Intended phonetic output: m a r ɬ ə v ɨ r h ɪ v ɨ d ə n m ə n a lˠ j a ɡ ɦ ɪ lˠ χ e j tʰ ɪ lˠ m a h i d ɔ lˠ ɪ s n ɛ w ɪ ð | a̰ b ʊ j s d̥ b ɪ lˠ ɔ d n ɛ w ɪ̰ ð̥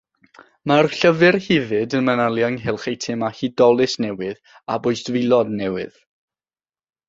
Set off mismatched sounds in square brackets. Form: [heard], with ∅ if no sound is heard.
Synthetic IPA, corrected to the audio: m a r ɬ ə v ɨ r h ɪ v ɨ d ə n m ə n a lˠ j a [ŋ] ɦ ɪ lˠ χ e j tʰ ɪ [∅] m a h i d ɔ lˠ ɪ s n ɛ w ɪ ð | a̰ b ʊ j s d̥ [v] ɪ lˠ ɔ d n ɛ w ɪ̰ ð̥